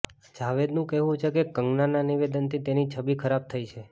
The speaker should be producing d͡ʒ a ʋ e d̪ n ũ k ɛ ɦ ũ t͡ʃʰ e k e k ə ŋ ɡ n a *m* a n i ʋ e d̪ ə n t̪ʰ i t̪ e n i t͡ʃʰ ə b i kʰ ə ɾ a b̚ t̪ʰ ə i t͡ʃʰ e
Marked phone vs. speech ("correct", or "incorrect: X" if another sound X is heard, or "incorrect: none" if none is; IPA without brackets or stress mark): incorrect: n